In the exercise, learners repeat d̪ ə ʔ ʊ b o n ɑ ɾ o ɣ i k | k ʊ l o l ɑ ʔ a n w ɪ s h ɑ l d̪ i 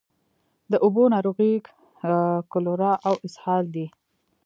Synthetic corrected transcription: d̪ ə ʔ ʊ b o n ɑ ɾ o ɣ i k | k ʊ l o ɾ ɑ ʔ a w ɪ s h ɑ l d̪ i